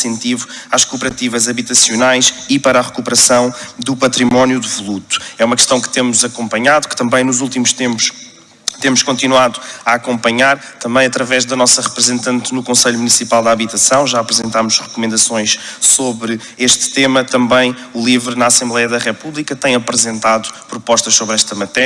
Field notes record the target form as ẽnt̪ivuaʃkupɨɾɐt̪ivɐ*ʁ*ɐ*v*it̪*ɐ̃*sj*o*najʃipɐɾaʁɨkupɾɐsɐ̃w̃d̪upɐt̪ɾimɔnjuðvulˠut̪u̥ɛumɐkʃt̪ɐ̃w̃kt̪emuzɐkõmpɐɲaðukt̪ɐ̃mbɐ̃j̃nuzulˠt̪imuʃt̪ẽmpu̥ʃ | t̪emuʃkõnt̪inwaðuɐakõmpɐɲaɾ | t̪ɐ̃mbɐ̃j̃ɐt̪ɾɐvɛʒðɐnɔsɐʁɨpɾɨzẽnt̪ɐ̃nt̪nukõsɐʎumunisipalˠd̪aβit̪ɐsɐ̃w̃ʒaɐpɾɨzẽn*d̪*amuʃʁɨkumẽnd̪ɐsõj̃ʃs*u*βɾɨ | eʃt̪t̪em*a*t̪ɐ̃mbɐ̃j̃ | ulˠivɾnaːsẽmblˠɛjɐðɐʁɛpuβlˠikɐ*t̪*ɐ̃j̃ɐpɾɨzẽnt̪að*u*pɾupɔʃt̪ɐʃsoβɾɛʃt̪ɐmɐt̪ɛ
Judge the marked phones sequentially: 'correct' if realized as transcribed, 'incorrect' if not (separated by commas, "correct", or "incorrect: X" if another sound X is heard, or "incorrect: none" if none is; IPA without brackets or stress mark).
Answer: incorrect: z, incorrect: β, incorrect: ɐ, incorrect: u, incorrect: t̪, incorrect: o, incorrect: ɐ, correct, correct